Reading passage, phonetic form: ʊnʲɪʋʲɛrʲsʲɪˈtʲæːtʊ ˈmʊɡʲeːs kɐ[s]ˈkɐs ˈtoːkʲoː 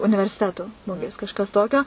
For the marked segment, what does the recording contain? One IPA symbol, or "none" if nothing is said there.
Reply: ʃ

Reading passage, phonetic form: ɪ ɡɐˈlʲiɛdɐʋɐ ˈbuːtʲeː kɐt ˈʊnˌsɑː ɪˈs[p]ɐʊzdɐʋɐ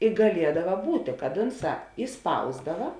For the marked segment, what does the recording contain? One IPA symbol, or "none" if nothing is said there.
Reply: p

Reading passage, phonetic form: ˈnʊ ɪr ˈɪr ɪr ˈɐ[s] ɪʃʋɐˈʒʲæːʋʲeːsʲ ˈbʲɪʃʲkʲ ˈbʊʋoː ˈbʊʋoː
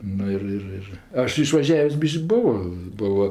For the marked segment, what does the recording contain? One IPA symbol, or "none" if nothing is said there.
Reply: ʃ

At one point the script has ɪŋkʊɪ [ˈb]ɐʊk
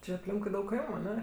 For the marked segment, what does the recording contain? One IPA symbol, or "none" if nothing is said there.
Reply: d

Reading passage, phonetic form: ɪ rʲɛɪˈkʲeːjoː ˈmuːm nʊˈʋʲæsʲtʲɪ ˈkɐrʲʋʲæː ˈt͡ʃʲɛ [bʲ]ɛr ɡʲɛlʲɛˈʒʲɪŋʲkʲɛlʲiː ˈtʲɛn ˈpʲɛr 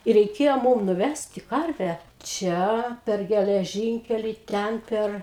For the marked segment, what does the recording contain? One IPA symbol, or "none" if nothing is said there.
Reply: pʲ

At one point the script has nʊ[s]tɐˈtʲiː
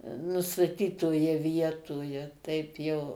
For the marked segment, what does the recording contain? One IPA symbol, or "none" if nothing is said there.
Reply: s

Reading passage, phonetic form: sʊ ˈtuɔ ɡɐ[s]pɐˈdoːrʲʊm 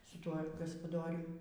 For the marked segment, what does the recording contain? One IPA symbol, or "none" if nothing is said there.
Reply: s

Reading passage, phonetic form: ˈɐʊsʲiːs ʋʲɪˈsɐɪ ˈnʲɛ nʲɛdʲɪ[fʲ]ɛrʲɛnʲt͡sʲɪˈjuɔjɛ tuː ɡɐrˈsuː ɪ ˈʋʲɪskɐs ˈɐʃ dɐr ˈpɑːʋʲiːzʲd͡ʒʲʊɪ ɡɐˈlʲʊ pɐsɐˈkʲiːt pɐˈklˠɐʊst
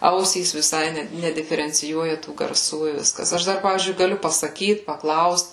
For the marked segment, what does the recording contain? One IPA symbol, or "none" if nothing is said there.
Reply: fʲ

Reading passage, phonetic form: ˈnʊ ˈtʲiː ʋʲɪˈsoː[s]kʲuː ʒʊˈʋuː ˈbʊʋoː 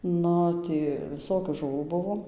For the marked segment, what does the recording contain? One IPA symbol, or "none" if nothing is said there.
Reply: none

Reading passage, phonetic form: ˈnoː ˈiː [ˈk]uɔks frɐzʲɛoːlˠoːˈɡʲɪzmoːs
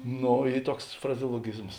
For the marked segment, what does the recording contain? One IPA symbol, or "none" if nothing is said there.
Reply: t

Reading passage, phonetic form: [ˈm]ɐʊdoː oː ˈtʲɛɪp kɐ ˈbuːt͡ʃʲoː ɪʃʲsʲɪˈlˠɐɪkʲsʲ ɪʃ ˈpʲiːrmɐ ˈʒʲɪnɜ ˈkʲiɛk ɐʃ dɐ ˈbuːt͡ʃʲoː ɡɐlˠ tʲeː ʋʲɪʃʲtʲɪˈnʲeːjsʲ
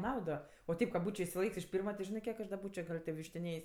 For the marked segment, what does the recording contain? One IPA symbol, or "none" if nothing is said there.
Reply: n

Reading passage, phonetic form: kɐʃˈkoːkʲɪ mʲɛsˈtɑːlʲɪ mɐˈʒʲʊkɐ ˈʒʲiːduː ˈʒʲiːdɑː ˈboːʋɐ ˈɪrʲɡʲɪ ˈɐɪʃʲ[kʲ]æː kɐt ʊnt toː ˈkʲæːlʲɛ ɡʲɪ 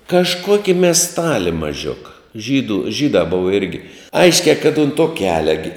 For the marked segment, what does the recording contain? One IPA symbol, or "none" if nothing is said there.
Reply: kʲ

